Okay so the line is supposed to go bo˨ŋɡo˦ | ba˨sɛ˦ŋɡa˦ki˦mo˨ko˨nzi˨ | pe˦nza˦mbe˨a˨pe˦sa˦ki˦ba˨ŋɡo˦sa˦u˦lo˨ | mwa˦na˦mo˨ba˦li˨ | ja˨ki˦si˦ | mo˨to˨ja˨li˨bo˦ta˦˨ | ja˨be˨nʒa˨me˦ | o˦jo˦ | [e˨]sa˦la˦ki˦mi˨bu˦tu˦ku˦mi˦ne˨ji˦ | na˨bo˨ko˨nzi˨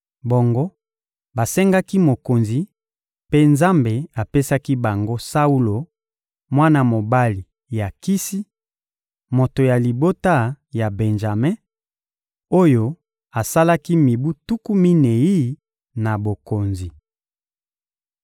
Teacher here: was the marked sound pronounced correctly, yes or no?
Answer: no